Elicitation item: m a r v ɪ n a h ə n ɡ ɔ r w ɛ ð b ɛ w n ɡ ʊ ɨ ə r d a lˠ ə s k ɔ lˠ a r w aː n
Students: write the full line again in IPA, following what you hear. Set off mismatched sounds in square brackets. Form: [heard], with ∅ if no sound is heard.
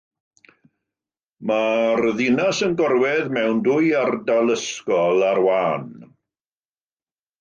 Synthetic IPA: m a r [ð] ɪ n a [s] ə n ɡ ɔ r w ɛ ð [m] ɛ w n [d] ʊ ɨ [a] r d a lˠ ə s k ɔ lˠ a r w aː n